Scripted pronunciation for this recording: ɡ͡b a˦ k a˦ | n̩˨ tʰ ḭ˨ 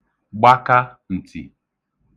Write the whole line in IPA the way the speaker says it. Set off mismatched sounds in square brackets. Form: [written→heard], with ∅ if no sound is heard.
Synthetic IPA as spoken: ɡ͡b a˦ k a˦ | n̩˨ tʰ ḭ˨